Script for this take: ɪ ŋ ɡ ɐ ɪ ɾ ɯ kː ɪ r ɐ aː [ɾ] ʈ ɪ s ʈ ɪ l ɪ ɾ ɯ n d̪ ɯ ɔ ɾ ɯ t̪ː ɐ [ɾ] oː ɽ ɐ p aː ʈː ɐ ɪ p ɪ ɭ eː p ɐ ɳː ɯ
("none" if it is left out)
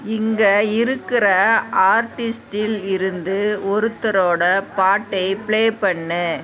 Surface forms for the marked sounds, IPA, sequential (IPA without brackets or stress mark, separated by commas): ɾ, ɾ